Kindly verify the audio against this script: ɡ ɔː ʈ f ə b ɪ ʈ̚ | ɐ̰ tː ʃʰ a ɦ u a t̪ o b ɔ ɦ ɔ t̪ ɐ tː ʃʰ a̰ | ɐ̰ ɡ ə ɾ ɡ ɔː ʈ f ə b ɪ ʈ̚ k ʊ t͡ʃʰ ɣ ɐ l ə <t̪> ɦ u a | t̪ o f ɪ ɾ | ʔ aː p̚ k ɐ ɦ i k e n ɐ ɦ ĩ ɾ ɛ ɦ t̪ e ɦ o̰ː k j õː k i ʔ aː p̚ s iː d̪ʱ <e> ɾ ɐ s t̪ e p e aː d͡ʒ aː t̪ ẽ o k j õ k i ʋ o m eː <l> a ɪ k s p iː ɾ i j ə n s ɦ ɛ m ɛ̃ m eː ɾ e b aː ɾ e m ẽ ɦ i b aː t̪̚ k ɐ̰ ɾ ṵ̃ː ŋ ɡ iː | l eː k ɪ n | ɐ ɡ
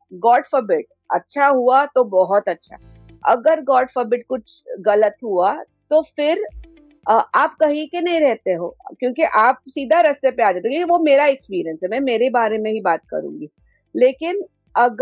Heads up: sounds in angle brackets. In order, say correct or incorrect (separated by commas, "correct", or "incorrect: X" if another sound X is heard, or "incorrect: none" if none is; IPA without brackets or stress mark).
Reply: correct, incorrect: a, incorrect: ɾ